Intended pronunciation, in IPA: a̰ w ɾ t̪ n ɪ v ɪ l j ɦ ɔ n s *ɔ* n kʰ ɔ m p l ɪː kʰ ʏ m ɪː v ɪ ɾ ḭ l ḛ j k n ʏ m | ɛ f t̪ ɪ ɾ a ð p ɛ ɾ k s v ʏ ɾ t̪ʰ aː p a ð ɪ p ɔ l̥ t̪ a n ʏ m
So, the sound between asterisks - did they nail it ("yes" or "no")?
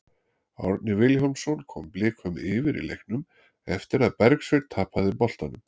yes